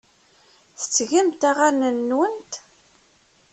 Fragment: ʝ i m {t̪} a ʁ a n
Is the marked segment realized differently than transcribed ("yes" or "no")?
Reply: no